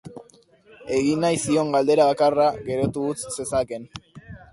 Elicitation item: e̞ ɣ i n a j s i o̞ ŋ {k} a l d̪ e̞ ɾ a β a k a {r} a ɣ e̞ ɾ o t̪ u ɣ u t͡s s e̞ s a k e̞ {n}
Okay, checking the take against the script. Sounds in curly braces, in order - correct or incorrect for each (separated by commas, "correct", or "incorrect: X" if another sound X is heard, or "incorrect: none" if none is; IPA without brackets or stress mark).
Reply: incorrect: ɡ, correct, correct